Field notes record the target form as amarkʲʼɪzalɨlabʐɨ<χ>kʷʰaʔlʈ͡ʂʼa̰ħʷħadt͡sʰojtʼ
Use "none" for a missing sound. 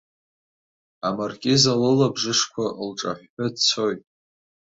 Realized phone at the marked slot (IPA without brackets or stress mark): ʂ